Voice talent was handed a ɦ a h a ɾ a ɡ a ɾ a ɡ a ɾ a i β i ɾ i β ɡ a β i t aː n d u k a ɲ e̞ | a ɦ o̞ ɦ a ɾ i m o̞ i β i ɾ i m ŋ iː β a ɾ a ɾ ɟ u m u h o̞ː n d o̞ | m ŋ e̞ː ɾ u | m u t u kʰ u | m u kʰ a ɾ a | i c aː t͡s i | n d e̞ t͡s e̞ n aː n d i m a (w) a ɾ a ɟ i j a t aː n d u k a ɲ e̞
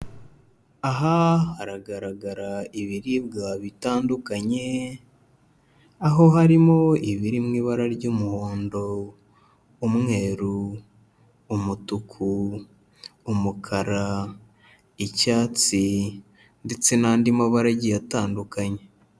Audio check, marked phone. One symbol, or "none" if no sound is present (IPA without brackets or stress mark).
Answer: β